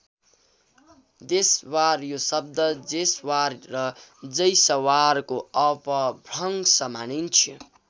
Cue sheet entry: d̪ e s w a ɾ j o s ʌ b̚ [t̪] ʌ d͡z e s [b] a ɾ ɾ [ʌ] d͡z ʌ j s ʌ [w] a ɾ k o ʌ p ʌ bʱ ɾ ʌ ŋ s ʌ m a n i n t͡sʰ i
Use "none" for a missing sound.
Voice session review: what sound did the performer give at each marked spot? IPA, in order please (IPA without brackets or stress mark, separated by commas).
d̪, w, ʌ, w